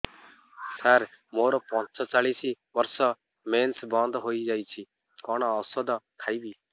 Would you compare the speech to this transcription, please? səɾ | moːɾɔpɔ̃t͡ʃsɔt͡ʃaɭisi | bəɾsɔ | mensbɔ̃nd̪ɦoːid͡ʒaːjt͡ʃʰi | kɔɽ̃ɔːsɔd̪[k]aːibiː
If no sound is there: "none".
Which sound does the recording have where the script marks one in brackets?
kʰ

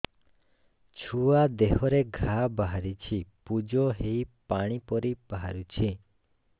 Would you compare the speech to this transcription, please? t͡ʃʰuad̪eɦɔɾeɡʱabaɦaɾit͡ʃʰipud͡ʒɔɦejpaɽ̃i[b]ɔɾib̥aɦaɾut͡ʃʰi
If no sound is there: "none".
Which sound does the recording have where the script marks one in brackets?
p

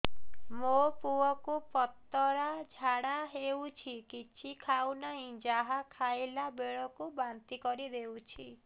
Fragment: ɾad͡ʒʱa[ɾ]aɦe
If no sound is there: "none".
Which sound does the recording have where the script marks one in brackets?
ɽ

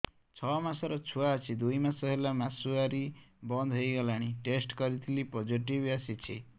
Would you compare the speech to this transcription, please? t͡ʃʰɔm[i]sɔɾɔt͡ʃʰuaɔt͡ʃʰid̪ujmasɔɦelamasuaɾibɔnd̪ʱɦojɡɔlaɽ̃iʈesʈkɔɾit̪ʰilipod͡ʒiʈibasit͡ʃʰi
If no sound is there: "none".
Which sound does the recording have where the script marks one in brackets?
a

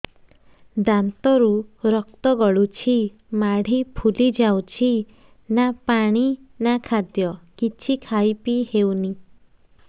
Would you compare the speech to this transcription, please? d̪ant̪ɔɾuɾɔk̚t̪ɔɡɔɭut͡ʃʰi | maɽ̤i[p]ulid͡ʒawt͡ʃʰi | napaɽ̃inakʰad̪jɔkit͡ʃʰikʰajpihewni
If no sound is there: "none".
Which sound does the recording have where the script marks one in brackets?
pʰ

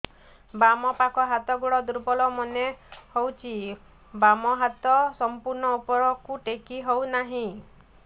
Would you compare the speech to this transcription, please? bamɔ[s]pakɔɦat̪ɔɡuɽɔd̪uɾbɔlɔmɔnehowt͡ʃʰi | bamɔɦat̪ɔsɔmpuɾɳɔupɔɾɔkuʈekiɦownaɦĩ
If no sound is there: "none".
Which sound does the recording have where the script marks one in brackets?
none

